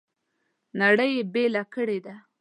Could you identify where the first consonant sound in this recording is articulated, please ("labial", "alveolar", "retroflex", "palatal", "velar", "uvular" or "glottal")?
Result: alveolar